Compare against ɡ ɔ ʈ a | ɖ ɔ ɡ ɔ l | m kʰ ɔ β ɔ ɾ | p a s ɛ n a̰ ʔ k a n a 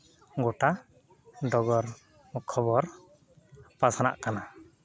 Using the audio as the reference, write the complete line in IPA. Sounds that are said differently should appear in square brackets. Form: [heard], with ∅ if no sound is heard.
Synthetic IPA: ɡ ɔ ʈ a | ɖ ɔ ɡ ɔ [ɾ] | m kʰ ɔ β ɔ ɾ | p a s [a] n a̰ ʔ k a n a